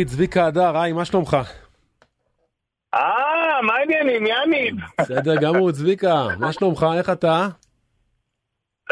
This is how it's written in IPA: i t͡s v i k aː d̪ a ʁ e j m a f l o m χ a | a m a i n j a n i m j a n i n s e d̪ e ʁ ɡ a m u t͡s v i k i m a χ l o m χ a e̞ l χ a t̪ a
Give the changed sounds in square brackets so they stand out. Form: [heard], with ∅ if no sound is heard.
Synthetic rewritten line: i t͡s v i k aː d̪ a ʁ [a] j m a [ʃ] l o m χ a | a m a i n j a n i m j a n i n s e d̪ e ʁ ɡ a m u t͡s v i k [a] m a [ʃ] l o m χ a e̞ [∅] χ a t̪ a